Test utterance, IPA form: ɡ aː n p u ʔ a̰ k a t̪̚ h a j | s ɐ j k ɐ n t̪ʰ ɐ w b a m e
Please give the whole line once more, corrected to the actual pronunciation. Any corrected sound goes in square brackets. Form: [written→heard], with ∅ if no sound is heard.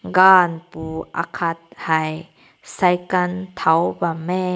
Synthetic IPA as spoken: ɡ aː n p u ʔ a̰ [k→kʰ] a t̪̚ h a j | s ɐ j k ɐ n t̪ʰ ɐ w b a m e